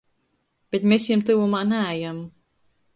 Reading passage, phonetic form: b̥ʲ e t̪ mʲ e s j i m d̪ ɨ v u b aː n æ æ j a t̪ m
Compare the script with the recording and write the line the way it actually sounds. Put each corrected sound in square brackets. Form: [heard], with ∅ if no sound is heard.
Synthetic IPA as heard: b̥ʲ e t̪ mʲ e s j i m [t̪] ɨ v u [m] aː n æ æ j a [∅] m